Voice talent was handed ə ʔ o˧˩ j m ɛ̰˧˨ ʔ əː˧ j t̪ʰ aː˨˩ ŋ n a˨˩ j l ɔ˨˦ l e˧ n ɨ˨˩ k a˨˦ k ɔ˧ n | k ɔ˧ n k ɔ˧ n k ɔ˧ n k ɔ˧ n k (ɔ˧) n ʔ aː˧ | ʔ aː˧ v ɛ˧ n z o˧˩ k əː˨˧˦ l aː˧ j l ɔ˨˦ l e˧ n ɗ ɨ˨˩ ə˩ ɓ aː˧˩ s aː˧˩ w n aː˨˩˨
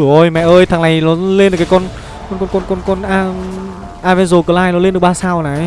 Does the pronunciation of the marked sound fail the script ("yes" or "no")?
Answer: no